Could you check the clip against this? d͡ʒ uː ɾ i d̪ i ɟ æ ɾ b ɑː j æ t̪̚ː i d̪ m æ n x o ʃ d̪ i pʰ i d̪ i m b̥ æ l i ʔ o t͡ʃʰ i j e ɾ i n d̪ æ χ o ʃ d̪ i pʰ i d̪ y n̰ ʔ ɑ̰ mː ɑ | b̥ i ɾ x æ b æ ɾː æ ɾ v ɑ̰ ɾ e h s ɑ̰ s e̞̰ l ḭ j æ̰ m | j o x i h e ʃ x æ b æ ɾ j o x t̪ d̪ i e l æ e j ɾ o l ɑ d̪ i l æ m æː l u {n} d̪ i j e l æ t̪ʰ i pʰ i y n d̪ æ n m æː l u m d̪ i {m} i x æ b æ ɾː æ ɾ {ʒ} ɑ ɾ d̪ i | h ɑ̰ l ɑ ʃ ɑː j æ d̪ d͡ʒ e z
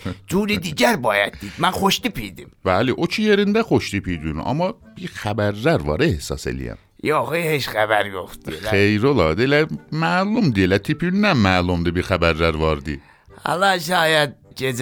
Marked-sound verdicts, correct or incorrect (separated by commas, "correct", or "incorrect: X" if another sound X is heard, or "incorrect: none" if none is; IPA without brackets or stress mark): incorrect: m, incorrect: b, incorrect: v